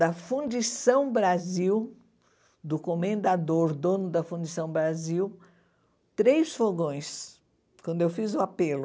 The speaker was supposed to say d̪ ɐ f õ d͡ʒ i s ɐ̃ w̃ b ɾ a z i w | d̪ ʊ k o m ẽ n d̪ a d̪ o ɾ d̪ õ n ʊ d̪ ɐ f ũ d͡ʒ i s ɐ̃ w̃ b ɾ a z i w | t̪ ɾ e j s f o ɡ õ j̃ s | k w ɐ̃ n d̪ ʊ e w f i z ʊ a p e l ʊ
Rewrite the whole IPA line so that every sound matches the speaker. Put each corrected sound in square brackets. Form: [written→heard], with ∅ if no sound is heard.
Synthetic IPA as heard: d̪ ɐ f [õ→ũ] d͡ʒ i s ɐ̃ w̃ b ɾ a z i w | d̪ ʊ k o m ẽ n d̪ a d̪ o ɾ d̪ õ n ʊ d̪ ɐ f ũ d͡ʒ i s ɐ̃ w̃ b ɾ a z i w | t̪ ɾ e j s f o ɡ õ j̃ s | k w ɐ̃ n d̪ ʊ e w f i z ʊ a p e l ʊ